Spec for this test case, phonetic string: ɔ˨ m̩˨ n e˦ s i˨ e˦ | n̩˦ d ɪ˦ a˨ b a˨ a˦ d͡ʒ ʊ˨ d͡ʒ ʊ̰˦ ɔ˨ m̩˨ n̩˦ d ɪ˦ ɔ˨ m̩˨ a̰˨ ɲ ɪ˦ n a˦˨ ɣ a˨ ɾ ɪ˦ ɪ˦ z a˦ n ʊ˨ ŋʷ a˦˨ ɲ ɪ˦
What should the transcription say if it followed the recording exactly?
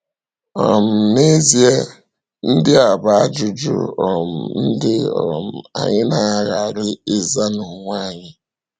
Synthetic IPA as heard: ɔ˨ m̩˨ n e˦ z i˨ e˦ | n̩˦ d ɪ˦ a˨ b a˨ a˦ d͡ʒ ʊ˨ d͡ʒ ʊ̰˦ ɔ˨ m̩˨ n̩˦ d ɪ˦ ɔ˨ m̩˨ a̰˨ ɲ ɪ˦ n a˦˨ ɣ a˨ ɾ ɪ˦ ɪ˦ z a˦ n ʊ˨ ŋʷ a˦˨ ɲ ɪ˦